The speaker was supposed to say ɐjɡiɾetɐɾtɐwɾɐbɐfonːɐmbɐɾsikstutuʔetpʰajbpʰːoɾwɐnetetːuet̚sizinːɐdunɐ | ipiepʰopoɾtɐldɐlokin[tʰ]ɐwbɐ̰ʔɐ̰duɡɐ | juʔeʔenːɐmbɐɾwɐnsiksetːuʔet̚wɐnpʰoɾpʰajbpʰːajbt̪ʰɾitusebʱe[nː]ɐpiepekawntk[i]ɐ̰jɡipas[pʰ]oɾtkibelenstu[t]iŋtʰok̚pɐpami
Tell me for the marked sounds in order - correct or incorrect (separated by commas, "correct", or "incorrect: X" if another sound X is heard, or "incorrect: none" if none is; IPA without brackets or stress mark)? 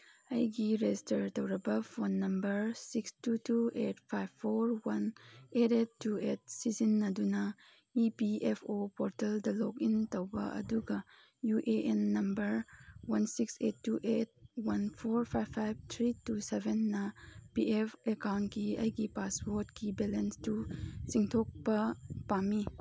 incorrect: t, correct, correct, incorrect: p, incorrect: s